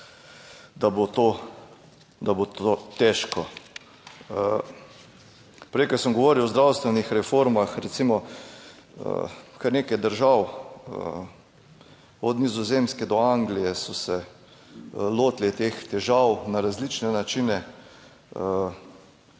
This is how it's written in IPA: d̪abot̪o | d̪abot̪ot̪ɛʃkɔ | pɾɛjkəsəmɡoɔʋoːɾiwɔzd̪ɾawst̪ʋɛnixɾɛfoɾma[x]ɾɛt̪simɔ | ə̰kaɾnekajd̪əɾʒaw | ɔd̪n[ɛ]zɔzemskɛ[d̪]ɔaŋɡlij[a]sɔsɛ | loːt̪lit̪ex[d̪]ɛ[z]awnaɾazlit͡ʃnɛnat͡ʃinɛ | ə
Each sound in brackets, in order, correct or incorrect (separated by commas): correct, incorrect, correct, incorrect, incorrect, incorrect